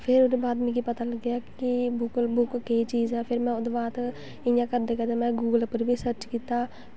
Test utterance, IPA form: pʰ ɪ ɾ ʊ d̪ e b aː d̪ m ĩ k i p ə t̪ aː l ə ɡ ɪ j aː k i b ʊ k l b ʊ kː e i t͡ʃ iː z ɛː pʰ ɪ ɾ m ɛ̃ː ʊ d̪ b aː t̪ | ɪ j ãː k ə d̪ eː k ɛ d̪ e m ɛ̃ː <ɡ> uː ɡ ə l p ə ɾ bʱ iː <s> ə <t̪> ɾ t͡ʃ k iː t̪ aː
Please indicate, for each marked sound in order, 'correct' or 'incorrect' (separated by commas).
correct, correct, incorrect